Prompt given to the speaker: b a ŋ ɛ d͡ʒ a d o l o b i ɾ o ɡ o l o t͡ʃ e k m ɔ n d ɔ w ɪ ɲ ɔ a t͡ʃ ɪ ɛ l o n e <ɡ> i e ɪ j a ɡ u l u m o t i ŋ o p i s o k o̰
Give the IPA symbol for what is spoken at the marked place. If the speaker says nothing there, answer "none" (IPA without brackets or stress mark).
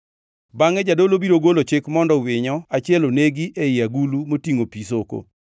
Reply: ɡ